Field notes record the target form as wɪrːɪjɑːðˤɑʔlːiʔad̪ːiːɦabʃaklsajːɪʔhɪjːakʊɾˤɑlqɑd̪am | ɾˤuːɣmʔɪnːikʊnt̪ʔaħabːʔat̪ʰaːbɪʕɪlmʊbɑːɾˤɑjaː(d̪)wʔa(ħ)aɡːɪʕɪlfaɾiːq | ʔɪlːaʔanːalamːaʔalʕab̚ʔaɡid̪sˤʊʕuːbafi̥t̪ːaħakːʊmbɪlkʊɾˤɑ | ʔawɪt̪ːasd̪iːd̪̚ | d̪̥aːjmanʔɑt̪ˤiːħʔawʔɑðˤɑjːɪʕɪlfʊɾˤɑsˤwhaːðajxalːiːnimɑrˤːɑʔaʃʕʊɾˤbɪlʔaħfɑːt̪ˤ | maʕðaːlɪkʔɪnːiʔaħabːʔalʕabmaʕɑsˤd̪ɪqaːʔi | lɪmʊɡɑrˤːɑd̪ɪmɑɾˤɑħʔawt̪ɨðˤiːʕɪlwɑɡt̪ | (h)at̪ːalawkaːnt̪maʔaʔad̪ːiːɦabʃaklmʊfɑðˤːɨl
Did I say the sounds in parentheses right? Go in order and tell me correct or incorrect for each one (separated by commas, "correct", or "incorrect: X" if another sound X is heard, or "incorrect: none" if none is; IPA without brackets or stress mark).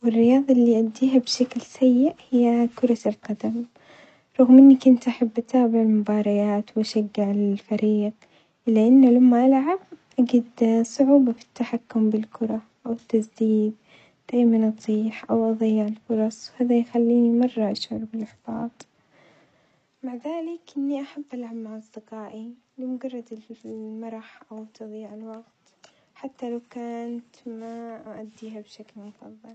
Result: incorrect: t̪, incorrect: ʃ, incorrect: ħ